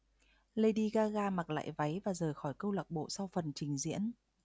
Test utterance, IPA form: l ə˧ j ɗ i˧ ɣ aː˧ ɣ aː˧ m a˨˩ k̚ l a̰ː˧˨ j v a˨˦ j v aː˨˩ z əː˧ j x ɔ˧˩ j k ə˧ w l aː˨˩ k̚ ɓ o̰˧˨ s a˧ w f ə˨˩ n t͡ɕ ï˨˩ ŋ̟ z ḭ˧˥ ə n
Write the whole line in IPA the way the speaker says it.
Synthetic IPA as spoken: l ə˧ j ɗ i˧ ɣ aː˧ ɣ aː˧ m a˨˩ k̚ l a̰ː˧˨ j v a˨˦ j v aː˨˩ z əː˨˩ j x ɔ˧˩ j k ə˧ w l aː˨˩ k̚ ɓ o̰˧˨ s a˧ w f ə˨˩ n t͡ɕ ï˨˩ ŋ̟ z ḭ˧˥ ə n